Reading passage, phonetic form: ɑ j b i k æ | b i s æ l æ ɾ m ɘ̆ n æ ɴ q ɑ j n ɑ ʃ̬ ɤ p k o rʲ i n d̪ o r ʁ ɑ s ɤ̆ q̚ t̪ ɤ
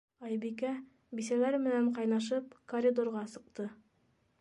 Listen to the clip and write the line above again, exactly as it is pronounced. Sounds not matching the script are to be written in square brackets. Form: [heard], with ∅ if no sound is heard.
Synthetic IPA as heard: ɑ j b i k æ | b i s æ l æ ɾ m ɘ̆ n æ ɴ q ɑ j n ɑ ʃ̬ ɤ p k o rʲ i [∅] d̪ o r ʁ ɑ s ɤ̆ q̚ t̪ ɤ